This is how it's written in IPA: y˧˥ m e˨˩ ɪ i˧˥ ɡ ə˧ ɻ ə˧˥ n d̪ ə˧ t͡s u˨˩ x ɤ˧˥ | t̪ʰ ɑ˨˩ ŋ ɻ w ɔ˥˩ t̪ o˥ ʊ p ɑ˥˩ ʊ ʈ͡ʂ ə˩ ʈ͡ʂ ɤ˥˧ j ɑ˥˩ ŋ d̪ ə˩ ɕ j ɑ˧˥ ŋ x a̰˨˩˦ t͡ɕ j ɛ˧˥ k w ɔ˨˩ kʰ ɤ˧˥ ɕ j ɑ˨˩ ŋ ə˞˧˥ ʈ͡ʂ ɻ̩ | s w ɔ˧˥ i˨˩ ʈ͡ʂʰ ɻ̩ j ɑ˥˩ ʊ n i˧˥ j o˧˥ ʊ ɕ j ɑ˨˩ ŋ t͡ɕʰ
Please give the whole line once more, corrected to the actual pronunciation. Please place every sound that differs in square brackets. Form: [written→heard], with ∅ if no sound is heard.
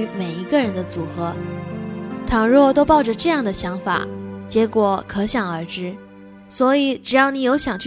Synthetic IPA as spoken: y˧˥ m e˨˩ ɪ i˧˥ ɡ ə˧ ɻ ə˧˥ n d̪ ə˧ t͡s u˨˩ x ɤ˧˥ | t̪ʰ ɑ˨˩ ŋ ɻ w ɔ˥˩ t̪ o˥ ʊ p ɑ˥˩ ʊ ʈ͡ʂ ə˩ ʈ͡ʂ ɤ˥˧ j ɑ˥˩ ŋ d̪ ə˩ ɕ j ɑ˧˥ ŋ [x→f] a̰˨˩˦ t͡ɕ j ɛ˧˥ k w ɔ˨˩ kʰ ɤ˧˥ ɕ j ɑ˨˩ ŋ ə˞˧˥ ʈ͡ʂ ɻ̩ | s w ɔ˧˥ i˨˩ [ʈ͡ʂʰ→ʈ͡ʂ] ɻ̩ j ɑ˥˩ ʊ n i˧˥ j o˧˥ ʊ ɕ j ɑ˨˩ ŋ t͡ɕʰ